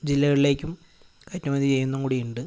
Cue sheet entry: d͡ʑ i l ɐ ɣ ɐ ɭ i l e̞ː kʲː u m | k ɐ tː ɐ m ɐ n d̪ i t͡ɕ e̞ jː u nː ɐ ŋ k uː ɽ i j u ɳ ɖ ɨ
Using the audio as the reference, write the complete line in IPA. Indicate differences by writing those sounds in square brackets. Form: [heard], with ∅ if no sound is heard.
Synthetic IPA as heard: d͡ʑ i [lː] ɐ ɣ ɐ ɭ i l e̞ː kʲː u m | k ɐ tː ɐ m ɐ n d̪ i t͡ɕ e̞ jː u nː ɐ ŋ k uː ɽ i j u ɳ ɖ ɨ